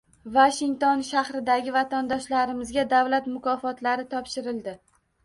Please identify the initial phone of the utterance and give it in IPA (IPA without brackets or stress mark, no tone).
v